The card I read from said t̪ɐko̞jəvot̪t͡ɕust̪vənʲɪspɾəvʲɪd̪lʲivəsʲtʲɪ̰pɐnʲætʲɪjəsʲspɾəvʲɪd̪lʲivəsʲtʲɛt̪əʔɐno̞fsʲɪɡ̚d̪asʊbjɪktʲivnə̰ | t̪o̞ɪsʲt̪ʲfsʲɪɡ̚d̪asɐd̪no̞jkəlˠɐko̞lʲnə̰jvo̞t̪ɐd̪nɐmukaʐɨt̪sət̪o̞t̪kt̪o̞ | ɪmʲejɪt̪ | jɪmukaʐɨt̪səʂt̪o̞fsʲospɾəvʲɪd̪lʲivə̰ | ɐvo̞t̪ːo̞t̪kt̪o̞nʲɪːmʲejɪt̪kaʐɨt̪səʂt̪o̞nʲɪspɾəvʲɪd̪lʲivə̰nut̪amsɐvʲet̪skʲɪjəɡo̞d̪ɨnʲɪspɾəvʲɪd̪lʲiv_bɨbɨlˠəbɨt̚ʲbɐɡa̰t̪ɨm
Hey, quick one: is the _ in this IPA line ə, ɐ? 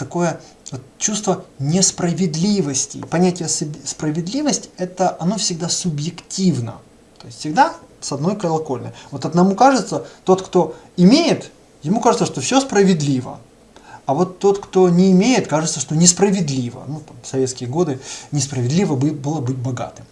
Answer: ə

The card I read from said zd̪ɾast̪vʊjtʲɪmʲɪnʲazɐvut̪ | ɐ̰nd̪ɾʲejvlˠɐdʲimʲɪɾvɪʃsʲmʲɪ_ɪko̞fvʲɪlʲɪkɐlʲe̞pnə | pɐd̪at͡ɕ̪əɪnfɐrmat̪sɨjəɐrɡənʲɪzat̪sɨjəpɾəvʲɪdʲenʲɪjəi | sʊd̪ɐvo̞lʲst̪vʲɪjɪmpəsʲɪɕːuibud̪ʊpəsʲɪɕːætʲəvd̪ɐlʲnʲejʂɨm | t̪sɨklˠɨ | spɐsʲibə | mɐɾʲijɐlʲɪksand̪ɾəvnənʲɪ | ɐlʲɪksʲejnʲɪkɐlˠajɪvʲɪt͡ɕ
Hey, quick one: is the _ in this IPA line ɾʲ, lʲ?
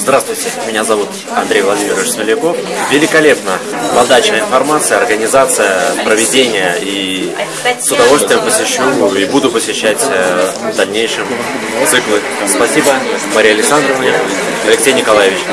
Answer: lʲ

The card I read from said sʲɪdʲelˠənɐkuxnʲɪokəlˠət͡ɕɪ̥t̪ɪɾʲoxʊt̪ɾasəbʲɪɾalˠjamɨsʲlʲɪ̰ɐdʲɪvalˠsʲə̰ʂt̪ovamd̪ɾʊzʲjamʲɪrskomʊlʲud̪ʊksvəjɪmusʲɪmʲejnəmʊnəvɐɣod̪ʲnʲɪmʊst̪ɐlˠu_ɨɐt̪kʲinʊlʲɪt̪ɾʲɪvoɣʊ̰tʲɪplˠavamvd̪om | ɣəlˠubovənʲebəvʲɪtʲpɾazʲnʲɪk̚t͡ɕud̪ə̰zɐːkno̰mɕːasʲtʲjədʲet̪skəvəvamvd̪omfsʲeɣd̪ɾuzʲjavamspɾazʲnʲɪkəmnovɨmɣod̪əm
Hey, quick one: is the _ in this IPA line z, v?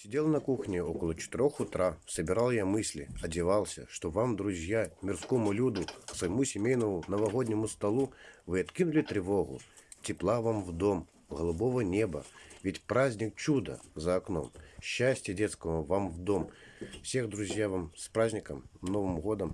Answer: v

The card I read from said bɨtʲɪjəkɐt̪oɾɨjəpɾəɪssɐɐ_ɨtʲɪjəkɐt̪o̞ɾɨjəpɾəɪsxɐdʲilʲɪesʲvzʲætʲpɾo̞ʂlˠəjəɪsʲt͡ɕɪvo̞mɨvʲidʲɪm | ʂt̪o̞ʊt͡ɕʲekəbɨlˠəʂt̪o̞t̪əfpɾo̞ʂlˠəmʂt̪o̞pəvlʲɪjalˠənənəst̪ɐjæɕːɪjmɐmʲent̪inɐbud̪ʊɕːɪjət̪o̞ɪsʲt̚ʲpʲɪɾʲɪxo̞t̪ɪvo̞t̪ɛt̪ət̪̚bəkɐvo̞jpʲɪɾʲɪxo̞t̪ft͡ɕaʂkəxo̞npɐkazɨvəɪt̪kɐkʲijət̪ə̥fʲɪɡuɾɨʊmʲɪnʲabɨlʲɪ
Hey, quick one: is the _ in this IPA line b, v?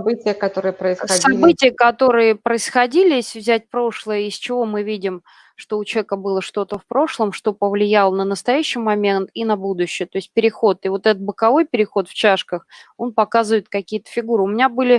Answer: b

